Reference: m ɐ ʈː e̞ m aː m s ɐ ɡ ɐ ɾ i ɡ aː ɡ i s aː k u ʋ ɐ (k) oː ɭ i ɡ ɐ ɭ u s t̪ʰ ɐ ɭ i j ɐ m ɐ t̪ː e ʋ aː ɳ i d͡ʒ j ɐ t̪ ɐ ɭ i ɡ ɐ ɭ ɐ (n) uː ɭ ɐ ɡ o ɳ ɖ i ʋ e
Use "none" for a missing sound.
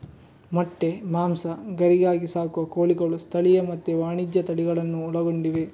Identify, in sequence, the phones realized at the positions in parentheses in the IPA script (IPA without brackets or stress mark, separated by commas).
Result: k, nː